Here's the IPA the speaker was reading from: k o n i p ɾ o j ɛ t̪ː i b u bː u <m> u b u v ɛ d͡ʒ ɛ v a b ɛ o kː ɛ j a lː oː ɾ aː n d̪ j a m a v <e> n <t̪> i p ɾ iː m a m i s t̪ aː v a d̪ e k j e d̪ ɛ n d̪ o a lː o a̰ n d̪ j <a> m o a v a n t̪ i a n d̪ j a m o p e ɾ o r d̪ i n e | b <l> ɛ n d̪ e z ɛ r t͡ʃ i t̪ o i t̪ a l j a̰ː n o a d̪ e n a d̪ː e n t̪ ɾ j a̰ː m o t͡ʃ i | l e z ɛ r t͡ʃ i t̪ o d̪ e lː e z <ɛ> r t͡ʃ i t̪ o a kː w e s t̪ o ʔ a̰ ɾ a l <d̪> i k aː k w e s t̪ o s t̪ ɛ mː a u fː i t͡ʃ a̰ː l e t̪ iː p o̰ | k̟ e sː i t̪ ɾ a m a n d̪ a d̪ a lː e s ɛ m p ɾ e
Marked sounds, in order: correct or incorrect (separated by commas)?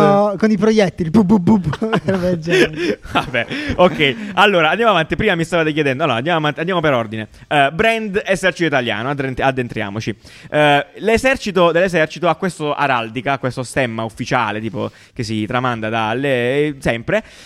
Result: incorrect, incorrect, correct, correct, incorrect, correct, correct